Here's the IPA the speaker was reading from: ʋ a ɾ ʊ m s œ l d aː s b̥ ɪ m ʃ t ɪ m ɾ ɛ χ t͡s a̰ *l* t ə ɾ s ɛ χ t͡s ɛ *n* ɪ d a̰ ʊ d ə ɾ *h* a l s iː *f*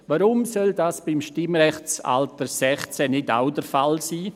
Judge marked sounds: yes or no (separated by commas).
yes, yes, no, no